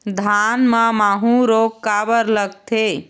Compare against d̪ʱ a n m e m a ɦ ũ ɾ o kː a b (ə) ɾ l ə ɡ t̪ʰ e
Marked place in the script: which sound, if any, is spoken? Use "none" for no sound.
ə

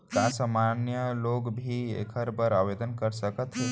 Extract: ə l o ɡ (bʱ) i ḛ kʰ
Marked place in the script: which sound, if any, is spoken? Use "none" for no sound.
bʱ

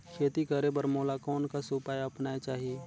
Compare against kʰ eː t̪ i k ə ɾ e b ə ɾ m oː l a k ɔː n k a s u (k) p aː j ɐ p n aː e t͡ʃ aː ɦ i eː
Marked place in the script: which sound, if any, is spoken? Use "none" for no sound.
none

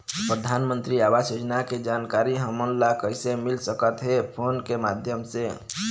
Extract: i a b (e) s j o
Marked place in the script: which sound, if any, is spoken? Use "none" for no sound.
a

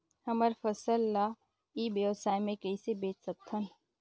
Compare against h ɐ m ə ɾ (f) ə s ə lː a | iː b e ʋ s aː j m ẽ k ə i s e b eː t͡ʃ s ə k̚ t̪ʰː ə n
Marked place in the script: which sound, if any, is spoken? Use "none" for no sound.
f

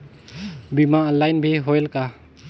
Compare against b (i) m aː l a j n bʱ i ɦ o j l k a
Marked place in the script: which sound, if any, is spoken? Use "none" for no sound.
i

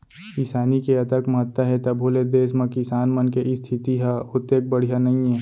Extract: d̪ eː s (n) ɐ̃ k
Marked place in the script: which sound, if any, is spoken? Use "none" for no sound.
m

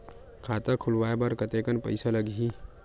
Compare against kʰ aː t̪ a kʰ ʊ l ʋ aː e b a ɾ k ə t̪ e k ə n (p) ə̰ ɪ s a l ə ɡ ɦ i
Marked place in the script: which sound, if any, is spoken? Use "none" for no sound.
p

